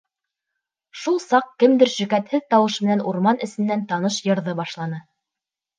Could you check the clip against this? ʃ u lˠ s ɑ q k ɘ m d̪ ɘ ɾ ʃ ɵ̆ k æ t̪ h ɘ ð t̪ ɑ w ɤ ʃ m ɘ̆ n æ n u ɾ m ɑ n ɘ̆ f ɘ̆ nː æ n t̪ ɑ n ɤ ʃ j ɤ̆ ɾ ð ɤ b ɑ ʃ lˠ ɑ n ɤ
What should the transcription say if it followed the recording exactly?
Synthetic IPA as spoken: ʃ u lˠ s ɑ q k ɘ m d̪ ɘ ɾ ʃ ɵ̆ k æ t̪ h ɘ ð t̪ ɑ w ɤ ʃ m ɘ̆ n æ n u ɾ m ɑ n ɘ̆ s ɘ̆ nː æ n t̪ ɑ n ɤ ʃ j ɤ̆ ɾ ð ɤ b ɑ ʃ lˠ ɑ n ɤ